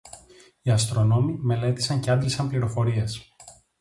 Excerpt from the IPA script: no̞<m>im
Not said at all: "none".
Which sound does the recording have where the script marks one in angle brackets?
m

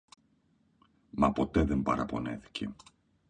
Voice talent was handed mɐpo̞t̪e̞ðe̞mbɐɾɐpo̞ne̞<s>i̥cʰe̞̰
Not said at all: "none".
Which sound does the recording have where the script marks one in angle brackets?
θ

